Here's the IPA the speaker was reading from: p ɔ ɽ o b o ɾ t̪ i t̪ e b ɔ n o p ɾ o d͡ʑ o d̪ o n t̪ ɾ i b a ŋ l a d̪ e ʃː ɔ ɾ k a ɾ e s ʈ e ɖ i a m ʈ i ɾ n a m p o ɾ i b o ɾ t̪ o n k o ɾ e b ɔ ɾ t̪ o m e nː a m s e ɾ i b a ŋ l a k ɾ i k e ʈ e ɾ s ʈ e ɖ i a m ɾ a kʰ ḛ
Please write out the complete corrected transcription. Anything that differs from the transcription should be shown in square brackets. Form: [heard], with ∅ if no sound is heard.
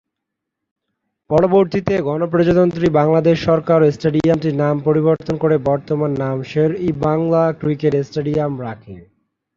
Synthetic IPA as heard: p ɔ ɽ o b o ɾ t̪ i t̪ e [ɡ] ɔ n o p ɾ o d͡ʑ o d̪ o n t̪ ɾ i b a ŋ l a d̪ e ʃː ɔ ɾ k a ɾ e s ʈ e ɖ i a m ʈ i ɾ n a m p o ɾ i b o ɾ t̪ o n k o ɾ e b ɔ ɾ t̪ o m [a] nː a m [ʃ] e ɾ i b a ŋ l a k ɾ i k e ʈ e [∅] s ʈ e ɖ i a m ɾ a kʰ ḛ